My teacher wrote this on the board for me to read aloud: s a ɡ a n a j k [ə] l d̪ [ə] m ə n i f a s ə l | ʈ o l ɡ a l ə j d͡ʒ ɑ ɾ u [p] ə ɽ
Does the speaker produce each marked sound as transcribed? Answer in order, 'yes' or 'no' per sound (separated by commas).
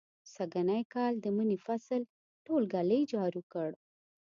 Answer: no, yes, no